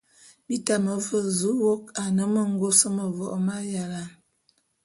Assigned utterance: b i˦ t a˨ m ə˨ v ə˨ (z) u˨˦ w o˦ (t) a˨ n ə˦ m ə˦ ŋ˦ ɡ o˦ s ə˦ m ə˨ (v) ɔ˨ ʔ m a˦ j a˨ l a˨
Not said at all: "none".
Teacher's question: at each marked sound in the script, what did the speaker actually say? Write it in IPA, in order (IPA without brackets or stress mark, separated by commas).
z, k, v